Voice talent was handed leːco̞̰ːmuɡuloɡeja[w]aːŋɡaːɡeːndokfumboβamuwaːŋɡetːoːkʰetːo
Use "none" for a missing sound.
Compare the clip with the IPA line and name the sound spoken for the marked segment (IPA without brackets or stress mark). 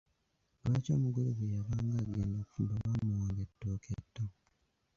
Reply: β